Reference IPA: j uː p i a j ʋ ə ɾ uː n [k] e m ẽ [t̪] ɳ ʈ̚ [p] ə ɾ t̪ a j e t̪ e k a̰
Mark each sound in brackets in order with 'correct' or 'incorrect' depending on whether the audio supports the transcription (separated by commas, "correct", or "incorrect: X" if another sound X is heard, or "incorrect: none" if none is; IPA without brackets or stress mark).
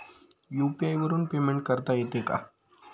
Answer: incorrect: p, incorrect: none, incorrect: k